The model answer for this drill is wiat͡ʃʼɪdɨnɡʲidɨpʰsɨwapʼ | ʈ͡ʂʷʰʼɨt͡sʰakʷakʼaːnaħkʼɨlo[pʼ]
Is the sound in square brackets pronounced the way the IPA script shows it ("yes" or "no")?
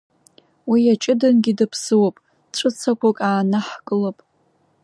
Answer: yes